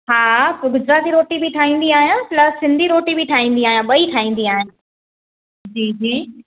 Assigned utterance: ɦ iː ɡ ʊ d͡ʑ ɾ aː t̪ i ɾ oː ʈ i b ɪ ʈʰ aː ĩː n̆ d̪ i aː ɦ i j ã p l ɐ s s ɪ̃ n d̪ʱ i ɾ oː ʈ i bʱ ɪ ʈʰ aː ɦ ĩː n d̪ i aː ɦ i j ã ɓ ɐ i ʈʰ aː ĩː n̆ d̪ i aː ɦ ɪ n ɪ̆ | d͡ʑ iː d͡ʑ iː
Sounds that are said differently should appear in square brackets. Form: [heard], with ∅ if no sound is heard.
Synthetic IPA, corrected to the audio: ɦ [aː] ɡ ʊ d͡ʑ ɾ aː t̪ i ɾ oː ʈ i b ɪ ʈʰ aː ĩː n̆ d̪ i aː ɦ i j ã p l ɐ s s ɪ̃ n d̪ʱ i ɾ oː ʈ i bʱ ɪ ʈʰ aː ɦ ĩː n d̪ i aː ɦ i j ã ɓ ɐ i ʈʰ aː ĩː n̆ d̪ i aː ɦ ɪ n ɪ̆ | d͡ʑ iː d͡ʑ iː